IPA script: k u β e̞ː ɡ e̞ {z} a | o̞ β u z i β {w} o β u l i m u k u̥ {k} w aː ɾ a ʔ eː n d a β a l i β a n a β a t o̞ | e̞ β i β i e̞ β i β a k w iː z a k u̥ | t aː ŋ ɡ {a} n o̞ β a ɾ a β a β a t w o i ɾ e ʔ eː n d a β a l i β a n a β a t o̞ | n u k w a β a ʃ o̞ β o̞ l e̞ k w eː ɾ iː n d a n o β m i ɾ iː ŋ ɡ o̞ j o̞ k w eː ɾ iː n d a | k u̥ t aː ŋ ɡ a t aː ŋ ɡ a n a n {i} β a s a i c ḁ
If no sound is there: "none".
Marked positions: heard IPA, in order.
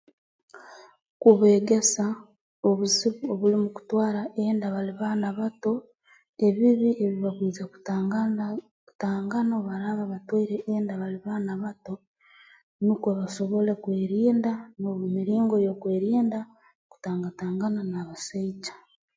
s, u, t, a, a

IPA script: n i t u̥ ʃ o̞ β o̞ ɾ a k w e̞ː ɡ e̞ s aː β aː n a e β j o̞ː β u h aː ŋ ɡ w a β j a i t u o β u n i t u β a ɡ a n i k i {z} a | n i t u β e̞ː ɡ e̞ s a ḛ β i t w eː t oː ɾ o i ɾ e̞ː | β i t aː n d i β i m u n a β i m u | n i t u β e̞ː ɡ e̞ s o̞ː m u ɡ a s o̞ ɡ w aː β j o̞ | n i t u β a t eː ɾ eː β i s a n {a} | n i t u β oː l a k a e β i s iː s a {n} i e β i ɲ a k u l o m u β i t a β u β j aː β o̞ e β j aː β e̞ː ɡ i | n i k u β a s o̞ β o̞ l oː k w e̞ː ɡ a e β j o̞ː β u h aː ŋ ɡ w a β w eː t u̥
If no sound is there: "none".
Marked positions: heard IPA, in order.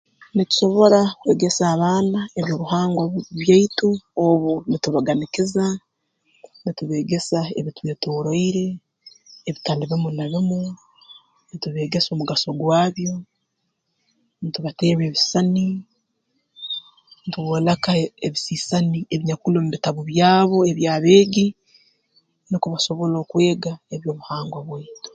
z, i, n

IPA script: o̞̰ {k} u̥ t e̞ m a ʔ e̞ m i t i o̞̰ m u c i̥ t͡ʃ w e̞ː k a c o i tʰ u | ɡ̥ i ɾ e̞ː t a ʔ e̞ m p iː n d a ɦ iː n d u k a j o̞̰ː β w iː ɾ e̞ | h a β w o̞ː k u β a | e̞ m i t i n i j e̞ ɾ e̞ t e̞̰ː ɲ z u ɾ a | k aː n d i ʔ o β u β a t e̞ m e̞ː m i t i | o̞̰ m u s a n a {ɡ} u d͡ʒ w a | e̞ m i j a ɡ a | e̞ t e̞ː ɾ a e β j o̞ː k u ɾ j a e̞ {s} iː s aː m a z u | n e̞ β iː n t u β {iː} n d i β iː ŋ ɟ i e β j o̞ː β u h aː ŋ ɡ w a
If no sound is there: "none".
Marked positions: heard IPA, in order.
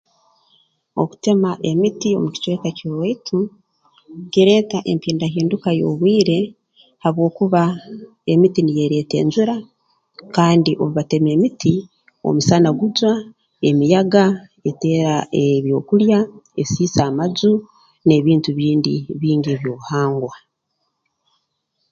k, ɡ, s, iː

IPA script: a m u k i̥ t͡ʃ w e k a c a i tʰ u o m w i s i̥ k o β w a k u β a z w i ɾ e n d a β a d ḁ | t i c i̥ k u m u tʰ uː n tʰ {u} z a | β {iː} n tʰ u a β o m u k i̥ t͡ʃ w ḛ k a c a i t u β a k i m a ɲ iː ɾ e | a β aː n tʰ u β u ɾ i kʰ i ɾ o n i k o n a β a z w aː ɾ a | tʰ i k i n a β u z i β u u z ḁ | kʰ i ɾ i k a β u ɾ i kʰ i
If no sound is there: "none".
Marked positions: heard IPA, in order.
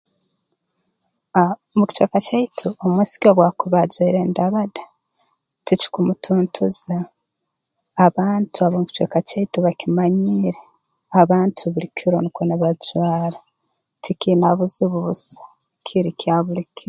u, aː

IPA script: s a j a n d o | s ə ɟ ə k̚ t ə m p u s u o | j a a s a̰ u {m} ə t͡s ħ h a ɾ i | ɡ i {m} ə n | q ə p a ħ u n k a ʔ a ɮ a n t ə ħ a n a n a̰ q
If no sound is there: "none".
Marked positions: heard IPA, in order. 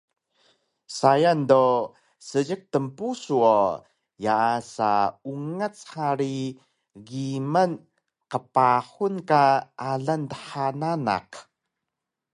ŋ, m

